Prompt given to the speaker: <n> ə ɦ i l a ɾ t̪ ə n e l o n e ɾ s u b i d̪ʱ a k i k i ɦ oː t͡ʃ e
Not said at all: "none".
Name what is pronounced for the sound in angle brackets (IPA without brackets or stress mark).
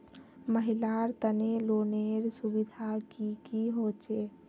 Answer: m